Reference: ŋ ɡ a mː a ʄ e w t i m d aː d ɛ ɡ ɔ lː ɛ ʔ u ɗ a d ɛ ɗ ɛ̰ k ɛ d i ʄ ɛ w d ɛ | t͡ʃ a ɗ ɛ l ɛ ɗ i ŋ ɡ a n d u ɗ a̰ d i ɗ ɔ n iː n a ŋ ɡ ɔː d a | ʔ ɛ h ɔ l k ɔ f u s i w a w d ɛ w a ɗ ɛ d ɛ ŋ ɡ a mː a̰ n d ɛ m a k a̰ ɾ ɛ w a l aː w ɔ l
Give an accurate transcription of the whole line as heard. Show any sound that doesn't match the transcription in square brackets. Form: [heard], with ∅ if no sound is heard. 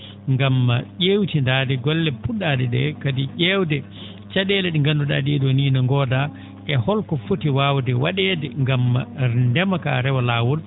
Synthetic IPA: ŋ ɡ a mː a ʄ e w t i [n] d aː d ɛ ɡ ɔ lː ɛ [p] u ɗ a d ɛ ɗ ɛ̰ k [a] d i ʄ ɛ w d ɛ | t͡ʃ a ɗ ɛ l ɛ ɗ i ŋ ɡ a n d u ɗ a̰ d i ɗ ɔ n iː n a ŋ ɡ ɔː d a | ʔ ɛ h ɔ l k ɔ f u [t] i w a w d ɛ w a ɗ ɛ d ɛ ŋ ɡ a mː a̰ n d ɛ m a k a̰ ɾ ɛ w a l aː w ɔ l